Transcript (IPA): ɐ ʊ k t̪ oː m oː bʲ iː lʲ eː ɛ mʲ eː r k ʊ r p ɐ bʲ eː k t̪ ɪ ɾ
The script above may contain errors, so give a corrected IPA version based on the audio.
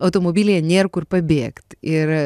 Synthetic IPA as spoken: ɐ ʊ t̪ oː m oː bʲ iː lʲ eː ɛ nʲ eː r k ʊ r p ɐ bʲ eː k t̪ ɪ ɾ